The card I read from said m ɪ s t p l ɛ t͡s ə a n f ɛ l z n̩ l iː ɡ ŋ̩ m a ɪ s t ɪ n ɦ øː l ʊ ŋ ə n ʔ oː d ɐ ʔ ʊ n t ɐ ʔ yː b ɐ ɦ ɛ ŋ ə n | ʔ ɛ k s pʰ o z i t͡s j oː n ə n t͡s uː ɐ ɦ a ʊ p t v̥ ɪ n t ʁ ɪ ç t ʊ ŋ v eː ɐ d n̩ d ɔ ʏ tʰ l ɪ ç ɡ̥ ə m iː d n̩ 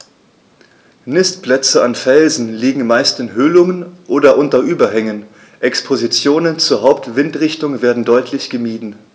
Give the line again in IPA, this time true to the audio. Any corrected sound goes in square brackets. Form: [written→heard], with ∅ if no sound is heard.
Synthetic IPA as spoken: [m→n] ɪ s t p l ɛ t͡s ə a n f ɛ l z n̩ l iː ɡ ŋ̩ m a ɪ s t ɪ n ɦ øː l ʊ ŋ ə n ʔ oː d ɐ ʔ ʊ n t ɐ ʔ yː b ɐ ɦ ɛ ŋ ə n | ʔ ɛ k s pʰ o z i t͡s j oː n ə n t͡s uː ɐ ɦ a ʊ p t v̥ ɪ n t ʁ ɪ ç t ʊ ŋ v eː ɐ d n̩ d ɔ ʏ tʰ l ɪ ç ɡ̥ ə m iː d n̩